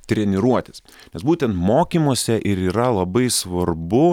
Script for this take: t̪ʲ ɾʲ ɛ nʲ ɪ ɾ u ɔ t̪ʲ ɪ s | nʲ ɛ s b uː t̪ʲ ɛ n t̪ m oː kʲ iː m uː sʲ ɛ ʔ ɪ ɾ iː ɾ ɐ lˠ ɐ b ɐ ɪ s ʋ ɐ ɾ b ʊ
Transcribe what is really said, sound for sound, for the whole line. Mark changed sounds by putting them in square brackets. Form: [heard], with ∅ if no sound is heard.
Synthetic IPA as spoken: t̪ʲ ɾʲ ɛ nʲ ɪ ɾ u ɔ t̪ʲ ɪ s | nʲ ɛ s b uː t̪ʲ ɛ n t̪ m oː kʲ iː m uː sʲ ɛ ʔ ɪ ɾ iː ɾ ɐ lˠ ɐ b ɐ ɪ s ʋ ɐ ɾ b ʊ